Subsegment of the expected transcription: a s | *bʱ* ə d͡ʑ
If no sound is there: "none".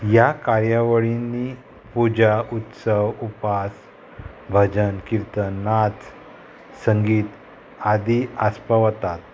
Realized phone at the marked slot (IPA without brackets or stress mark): bʱ